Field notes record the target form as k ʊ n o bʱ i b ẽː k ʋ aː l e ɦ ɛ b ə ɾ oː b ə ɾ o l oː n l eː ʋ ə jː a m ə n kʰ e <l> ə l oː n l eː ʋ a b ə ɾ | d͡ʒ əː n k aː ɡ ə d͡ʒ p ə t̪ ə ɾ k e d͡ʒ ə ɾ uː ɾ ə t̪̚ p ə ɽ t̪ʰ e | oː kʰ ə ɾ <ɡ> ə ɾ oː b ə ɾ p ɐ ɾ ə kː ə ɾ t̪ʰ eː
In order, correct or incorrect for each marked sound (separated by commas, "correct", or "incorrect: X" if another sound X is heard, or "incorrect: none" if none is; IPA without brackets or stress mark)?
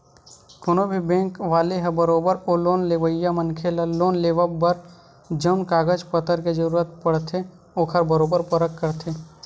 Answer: correct, incorrect: b